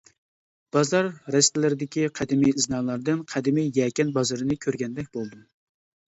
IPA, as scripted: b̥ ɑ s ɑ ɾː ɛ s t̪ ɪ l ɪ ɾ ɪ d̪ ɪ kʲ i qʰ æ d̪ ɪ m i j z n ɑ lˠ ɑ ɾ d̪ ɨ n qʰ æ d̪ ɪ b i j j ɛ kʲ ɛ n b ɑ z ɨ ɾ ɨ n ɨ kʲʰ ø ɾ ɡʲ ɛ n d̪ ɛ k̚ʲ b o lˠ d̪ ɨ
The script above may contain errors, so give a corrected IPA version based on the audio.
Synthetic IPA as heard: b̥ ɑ z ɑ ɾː ɛ s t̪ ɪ l ɪ ɾ ɪ d̪ ɪ kʲ i qʰ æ d̪ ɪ m i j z n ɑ lˠ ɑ ɾ d̪ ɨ n qʰ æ d̪ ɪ m i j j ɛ kʲ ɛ n b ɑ z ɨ ɾ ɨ n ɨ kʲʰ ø ɾ ɡʲ ɛ n d̪ ɛ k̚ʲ b o lˠ d̪ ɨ